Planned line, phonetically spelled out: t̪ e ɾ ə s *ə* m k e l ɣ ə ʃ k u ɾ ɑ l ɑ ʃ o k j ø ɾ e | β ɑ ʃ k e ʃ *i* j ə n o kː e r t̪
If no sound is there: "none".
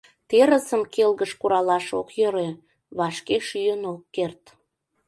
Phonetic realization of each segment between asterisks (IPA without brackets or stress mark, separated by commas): ə, y